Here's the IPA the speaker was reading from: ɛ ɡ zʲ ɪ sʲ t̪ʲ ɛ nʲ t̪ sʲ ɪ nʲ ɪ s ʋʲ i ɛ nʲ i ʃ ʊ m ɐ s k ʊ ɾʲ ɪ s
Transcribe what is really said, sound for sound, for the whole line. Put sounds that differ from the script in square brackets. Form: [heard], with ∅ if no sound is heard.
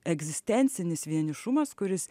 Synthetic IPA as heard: ɛ ɡ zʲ ɪ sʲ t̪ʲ ɛ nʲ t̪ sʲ ɪ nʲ ɪ s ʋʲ i ɛ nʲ [ɪ] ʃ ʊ m ɐ s k ʊ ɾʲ ɪ s